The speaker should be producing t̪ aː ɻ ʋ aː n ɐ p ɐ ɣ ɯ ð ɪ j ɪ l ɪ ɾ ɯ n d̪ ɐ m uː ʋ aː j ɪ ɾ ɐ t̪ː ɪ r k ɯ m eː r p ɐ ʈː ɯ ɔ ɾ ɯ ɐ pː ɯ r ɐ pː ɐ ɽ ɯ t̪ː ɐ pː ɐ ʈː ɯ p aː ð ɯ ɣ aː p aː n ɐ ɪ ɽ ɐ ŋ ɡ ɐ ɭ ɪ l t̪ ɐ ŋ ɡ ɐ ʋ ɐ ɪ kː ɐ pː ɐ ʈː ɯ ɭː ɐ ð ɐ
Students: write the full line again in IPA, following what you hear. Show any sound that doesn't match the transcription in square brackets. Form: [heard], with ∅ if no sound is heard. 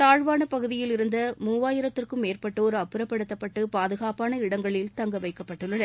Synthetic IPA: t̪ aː ɻ ʋ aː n ɐ p ɐ ɣ ɯ ð ɪ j ɪ l ɪ ɾ ɯ n d̪ ɐ m uː ʋ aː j ɪ ɾ ɐ t̪ː ɪ r k ɯ m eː r p ɐ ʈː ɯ ɔ ɾ ɯ ɐ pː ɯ [ɾ] ɐ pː ɐ ɽ ɯ t̪ː ɐ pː ɐ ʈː ɯ p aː ð ɯ ɣ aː p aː n ɐ ɪ ɽ ɐ ŋ ɡ ɐ ɭ ɪ l t̪ ɐ ŋ ɡ ɐ ʋ ɐ ɪ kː ɐ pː ɐ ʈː ɯ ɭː ɐ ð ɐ